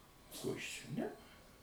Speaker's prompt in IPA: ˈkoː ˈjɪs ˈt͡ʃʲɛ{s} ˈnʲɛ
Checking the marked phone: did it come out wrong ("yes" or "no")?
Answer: yes